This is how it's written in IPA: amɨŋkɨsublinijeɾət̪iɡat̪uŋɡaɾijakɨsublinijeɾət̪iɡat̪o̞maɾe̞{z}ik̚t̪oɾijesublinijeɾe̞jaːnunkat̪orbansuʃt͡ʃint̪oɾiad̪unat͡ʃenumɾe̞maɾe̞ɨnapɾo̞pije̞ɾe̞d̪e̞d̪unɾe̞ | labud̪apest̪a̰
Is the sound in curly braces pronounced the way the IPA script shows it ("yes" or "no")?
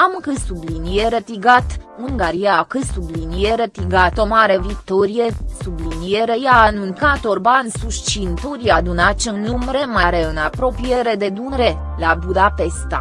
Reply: no